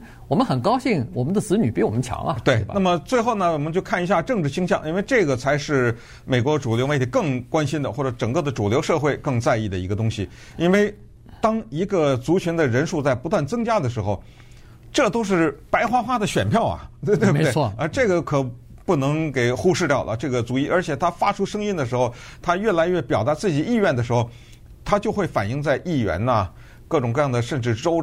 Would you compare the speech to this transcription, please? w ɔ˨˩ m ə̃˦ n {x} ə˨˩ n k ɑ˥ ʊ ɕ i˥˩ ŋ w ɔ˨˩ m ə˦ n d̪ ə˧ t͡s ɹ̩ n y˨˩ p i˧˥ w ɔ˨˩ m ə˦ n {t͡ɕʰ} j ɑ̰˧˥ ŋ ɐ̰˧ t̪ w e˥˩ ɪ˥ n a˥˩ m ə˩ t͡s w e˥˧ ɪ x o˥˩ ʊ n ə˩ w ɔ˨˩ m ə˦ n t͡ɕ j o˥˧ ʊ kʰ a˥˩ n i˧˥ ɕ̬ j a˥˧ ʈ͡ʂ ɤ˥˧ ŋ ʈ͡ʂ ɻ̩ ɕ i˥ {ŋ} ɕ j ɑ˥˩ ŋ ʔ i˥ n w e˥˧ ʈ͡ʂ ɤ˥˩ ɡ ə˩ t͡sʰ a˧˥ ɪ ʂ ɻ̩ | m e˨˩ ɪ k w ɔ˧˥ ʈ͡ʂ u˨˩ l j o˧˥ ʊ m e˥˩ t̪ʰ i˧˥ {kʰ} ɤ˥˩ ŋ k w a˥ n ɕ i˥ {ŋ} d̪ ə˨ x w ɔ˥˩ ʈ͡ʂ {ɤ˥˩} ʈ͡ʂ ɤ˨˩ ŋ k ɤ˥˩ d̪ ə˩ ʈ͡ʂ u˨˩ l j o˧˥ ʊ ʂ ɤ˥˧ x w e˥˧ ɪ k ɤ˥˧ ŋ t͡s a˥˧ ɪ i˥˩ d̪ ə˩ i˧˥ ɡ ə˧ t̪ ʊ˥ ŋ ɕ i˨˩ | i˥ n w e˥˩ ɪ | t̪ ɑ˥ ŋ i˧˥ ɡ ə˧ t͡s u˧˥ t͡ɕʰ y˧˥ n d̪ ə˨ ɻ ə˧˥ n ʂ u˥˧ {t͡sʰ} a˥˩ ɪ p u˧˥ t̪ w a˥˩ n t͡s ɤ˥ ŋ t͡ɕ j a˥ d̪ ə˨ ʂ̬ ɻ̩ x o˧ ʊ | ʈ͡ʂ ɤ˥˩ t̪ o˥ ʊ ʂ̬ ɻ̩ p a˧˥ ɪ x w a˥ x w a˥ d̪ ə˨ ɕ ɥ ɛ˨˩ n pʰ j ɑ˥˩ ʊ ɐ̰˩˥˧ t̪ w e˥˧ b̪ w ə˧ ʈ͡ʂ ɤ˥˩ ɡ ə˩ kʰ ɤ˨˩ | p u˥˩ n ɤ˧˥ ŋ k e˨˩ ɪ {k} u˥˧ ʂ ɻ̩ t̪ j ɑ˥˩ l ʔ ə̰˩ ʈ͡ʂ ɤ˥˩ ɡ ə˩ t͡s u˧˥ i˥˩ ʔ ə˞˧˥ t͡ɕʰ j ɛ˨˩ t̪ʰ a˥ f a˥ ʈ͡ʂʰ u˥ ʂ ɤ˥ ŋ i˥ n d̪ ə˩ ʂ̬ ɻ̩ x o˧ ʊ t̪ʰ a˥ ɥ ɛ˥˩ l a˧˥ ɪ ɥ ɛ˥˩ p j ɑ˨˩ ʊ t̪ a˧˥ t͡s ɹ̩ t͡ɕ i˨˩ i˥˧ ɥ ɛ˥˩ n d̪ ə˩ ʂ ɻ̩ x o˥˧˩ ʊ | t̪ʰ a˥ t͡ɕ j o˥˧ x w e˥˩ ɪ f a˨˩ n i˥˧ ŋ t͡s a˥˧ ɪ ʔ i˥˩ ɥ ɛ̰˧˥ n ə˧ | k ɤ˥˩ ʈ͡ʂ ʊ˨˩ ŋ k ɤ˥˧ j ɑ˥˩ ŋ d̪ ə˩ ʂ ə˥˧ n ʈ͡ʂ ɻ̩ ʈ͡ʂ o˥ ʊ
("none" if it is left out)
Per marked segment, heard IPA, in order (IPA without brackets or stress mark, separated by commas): x, t͡ɕʰ, ŋ, k, n, ɤ˧˥, t͡s, x